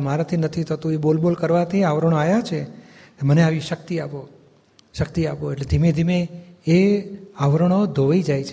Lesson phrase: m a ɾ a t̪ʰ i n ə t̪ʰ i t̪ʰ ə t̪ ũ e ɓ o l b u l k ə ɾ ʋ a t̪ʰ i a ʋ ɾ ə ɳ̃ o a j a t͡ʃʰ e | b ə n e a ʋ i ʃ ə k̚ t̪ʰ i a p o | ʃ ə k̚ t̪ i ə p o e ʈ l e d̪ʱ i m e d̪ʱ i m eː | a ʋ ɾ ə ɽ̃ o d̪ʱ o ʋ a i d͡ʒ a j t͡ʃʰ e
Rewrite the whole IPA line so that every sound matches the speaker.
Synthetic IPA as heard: m a ɾ a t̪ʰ i n ə t̪ʰ i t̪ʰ ə t̪ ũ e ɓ o l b o l k ə ɾ ʋ a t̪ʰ i a ʋ ɾ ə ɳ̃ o a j a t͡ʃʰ e | m ə n e a ʋ i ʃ ə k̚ t̪ i a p o | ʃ ə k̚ t̪ i a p o e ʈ l e d̪ʱ i m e d̪ʱ i m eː | a ʋ ɾ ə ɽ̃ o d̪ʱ o ʋ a i d͡ʒ a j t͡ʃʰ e